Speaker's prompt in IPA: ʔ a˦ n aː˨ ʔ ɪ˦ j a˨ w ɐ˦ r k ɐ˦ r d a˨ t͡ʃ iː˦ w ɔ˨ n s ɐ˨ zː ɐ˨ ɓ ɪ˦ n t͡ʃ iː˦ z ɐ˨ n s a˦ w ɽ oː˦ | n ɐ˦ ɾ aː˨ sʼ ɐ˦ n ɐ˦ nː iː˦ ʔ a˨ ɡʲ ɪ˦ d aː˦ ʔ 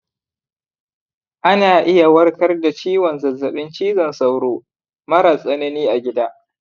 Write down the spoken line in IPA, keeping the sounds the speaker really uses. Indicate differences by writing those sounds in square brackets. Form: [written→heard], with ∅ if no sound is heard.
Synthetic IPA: ʔ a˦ n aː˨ ʔ ɪ˦ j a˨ w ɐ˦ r k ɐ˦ r d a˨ t͡ʃ iː˦ w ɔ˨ n [s→z] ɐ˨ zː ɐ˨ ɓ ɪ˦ n t͡ʃ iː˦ z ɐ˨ n s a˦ w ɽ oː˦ | [n→m] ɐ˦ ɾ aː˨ sʼ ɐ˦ n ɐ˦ [nː→n] iː˦ ʔ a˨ ɡʲ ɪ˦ d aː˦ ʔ